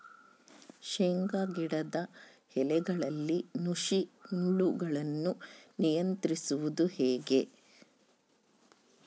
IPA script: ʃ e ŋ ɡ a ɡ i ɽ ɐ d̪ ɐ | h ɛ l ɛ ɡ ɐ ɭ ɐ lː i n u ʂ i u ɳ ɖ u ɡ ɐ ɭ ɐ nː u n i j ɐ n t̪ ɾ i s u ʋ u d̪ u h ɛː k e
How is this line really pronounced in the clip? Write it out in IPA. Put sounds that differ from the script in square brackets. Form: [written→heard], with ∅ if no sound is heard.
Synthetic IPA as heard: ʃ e ŋ ɡ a ɡ i ɽ ɐ d̪ ɐ | h ɛ l ɛ ɡ ɐ ɭ ɐ lː i n u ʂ i u ɳ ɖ u ɡ ɐ ɭ ɐ nː u n i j ɐ n t̪ ɾ i s u ʋ u d̪ u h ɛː [k→ɡ] e